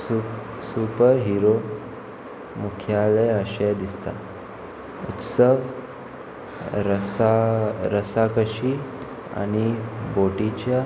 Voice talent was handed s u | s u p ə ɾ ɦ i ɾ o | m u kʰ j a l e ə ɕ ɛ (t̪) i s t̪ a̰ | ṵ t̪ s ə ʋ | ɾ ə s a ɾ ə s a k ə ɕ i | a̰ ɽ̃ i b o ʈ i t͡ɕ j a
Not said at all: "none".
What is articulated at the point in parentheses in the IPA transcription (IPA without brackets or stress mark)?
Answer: d̪